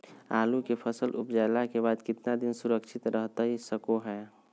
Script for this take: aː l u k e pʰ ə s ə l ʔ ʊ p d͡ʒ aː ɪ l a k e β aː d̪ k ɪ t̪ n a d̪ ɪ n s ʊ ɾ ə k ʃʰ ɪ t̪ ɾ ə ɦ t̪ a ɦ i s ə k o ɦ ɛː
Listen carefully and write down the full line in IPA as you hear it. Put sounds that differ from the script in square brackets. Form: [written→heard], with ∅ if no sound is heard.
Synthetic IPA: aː l u k e pʰ ə s ə l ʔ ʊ p d͡ʒ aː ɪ l a k e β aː d̪ k ɪ t̪ n a d̪ ɪ n s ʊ ɾ ə k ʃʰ ɪ t̪ ɾ ə ɦ t̪ a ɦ i s ə k o ɦ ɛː